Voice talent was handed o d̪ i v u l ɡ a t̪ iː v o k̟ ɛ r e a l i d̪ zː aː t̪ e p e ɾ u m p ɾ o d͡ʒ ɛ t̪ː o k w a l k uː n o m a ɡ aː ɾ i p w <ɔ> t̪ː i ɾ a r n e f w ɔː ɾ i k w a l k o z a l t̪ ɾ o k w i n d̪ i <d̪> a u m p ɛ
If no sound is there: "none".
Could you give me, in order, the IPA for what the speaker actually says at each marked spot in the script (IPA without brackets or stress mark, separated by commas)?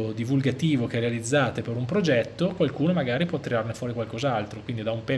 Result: ɔ, d̪